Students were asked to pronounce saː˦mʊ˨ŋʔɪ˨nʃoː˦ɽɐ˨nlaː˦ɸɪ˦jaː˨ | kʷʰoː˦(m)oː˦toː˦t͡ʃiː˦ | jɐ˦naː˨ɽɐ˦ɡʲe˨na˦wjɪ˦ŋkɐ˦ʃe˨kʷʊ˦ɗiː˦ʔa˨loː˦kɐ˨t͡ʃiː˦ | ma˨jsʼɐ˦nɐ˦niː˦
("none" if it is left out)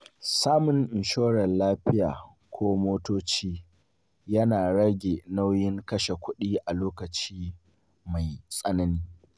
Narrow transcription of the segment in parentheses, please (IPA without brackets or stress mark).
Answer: m